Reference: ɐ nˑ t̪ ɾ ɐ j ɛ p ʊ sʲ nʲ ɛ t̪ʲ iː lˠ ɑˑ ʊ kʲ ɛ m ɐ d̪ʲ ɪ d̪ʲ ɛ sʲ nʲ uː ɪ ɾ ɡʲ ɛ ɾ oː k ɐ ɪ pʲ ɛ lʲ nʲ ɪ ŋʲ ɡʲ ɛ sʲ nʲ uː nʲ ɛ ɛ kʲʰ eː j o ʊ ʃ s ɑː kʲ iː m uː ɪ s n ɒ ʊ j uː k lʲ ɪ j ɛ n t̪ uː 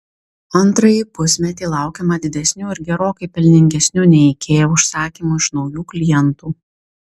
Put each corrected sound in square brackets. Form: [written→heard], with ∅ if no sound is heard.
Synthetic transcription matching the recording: ɐ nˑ t̪ ɾ ɐ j [ɛ→i] p ʊ sʲ [nʲ→mʲ] ɛ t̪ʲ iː lˠ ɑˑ ʊ kʲ ɛ m ɐ d̪ʲ ɪ d̪ʲ ɛ sʲ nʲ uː ɪ ɾ ɡʲ ɛ ɾ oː k ɐ ɪ pʲ ɛ lʲ nʲ ɪ ŋʲ ɡʲ ɛ sʲ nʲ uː nʲ ɛ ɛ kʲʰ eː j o ʊ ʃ s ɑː kʲ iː m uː ɪ [s→ʃ] n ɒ ʊ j uː k lʲ ɪ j ɛ n t̪ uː